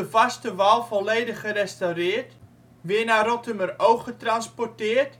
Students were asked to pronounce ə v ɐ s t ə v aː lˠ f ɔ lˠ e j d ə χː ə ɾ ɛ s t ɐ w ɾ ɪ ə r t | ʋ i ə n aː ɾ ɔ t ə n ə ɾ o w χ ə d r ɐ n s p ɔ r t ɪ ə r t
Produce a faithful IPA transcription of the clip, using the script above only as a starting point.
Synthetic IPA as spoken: ə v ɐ s t ə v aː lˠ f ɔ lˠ e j d ə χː ə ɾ ɛ s t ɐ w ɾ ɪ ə r t | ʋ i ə n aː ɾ ɔ t ə m ə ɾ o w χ ə t r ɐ n s p ɔ r t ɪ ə r t